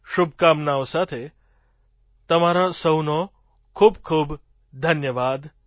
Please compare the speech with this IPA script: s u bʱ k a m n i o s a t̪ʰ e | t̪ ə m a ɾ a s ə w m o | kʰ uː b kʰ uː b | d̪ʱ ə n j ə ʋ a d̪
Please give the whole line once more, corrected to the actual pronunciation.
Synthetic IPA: ʃ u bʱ k a m n a o s a t̪ʰ e | t̪ ə m a ɾ a s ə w n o | kʰ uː b kʰ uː b | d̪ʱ ə n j ə ʋ a d̪